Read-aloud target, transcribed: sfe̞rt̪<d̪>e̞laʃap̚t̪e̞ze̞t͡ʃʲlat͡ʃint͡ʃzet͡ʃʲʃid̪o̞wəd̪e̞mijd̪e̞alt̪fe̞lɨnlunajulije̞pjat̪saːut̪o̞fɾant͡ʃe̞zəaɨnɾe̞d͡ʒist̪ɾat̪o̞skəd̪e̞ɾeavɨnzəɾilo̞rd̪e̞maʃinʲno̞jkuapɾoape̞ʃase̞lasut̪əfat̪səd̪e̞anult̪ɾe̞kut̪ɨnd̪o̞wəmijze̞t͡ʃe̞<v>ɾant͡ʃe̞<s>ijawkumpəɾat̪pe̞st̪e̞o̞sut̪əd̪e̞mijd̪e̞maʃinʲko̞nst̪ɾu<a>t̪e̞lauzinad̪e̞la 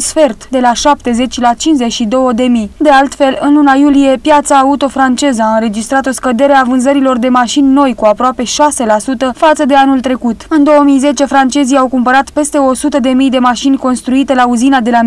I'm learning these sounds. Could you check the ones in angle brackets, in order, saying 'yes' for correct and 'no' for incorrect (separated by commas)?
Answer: yes, no, no, no